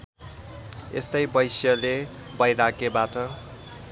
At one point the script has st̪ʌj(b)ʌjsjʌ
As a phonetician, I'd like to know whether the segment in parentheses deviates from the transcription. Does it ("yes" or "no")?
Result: no